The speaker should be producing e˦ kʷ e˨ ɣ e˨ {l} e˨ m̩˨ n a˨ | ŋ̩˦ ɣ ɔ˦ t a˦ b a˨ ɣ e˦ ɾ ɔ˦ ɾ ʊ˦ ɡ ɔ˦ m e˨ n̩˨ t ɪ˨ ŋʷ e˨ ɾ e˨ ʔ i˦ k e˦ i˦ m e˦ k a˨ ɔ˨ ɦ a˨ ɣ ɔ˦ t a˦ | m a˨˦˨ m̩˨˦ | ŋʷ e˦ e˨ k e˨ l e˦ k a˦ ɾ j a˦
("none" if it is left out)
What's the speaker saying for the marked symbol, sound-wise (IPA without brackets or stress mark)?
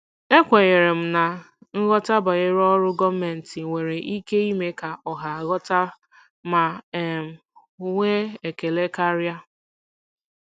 ɾ